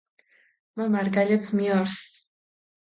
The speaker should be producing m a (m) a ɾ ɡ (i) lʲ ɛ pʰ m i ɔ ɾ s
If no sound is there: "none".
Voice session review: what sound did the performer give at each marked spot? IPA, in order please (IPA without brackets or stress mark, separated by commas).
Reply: m, a